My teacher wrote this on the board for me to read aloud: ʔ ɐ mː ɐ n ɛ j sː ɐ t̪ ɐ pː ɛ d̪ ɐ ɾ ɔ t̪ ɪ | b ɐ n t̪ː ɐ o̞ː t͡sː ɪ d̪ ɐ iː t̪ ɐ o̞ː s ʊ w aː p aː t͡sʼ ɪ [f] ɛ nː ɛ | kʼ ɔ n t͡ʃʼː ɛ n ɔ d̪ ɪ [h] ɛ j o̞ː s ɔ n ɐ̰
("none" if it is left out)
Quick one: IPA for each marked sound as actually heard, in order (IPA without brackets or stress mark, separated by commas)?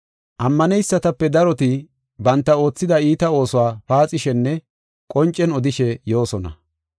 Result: ʃ, ʃ